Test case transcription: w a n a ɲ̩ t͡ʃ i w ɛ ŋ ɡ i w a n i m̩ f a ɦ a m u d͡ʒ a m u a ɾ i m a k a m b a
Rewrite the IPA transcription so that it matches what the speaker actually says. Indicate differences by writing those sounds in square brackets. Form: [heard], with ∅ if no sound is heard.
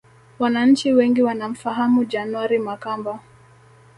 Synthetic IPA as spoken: w a n a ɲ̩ t͡ʃ i w ɛ ŋ ɡ i w a n [a] m̩ f a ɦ a m u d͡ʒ a [n] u a ɾ i m a k a m b a